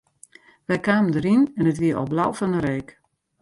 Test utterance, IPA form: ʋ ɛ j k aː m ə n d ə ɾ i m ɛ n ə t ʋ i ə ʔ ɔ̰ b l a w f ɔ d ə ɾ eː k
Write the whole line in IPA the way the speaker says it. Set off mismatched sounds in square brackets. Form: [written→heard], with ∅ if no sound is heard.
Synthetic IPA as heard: ʋ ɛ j k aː m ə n d ə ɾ i [m→n] ɛ n ə t ʋ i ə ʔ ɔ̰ b l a w f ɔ [d→n] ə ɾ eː k